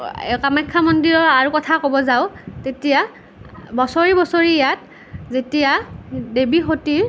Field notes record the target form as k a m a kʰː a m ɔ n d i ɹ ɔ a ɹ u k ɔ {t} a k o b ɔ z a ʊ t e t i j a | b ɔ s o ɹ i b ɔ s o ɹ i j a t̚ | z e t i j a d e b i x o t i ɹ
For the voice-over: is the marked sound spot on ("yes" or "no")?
no